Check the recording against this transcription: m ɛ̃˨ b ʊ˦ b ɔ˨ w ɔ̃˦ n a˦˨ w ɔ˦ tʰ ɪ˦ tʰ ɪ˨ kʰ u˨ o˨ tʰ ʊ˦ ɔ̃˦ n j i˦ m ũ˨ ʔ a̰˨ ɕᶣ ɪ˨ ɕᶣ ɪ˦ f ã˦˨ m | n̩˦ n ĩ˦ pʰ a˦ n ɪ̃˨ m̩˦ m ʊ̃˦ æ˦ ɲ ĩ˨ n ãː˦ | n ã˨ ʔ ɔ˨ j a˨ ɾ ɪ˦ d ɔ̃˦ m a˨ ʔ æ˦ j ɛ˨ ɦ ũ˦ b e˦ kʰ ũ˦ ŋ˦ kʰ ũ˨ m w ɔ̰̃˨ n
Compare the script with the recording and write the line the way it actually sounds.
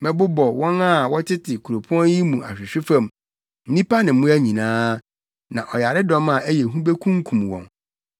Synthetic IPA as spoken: m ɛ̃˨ b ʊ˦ b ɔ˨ w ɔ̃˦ n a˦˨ w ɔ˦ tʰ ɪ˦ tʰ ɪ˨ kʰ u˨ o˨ pʰ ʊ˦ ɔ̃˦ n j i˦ m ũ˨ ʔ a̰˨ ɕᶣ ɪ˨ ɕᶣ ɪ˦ f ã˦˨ m | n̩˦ n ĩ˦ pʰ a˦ n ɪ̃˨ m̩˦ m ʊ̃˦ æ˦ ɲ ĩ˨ n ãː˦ | n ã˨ ʔ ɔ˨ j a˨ ɾ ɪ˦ d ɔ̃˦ m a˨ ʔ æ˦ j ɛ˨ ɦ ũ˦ b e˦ kʰ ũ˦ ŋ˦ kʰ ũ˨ m w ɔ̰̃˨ n